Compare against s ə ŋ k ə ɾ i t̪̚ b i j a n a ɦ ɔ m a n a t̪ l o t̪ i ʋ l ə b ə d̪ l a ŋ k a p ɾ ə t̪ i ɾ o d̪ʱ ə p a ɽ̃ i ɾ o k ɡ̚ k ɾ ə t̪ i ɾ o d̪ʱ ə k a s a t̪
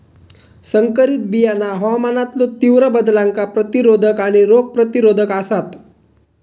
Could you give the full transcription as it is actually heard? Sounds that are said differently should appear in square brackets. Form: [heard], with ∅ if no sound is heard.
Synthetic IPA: s ə ŋ k ə ɾ i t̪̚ b i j a n a ɦ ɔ m a n a t̪ l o t̪ i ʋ [ɾ] ə b ə d̪ l a ŋ k a p ɾ ə t̪ i ɾ o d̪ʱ ə [k] a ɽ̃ i ɾ o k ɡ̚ [p] ɾ ə t̪ i ɾ o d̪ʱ ə k a s a t̪